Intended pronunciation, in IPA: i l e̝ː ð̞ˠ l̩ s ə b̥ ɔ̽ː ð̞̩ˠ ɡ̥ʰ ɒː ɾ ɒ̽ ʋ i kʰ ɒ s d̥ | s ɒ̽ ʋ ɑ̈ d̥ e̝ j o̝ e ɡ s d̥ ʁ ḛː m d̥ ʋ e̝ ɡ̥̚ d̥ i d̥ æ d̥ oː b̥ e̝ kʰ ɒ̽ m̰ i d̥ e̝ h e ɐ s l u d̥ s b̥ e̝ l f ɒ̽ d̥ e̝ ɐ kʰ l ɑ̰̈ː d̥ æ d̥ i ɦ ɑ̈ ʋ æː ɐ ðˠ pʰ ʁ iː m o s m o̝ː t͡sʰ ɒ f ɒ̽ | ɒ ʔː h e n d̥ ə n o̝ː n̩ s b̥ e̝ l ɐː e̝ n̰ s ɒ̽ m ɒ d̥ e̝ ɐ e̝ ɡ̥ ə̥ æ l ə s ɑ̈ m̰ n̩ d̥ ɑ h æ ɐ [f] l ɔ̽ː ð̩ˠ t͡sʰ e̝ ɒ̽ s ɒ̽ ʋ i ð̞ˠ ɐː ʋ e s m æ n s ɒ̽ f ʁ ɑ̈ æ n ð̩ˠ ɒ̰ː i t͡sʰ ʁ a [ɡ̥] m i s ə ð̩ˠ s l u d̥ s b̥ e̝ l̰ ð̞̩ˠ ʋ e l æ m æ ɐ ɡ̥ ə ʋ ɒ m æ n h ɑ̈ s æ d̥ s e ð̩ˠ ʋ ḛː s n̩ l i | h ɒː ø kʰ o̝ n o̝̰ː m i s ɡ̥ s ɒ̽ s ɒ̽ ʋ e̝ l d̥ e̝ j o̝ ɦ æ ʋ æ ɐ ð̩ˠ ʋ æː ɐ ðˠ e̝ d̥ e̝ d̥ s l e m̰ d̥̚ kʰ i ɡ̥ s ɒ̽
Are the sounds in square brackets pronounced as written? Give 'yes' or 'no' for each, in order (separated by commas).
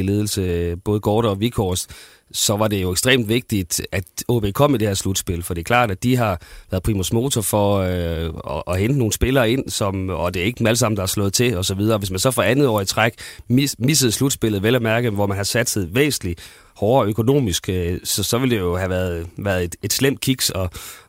no, yes